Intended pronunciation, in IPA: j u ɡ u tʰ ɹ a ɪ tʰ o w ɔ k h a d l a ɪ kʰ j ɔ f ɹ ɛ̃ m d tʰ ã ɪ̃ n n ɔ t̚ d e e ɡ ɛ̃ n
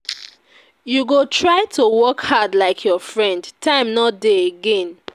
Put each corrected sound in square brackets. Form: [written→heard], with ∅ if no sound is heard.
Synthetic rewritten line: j u ɡ [u→o] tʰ ɹ a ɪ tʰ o w ɔ k h a d l a ɪ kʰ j ɔ f ɹ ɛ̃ [m→n] d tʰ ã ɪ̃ [n→m] n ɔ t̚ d e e ɡ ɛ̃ n